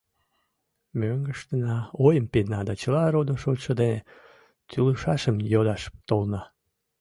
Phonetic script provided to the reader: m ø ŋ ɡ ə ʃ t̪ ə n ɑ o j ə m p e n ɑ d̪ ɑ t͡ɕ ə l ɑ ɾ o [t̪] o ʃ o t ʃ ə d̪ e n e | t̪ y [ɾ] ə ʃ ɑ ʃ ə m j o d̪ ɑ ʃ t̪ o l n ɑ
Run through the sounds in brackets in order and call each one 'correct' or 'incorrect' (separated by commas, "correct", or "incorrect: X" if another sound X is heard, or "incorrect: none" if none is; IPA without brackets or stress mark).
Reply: incorrect: d̪, incorrect: l